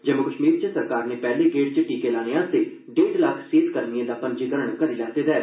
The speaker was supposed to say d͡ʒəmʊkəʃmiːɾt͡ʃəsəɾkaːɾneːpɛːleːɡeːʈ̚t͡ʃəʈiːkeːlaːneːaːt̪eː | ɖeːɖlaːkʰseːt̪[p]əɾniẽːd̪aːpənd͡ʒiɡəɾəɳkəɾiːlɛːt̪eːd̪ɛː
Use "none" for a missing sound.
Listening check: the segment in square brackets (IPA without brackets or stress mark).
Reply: k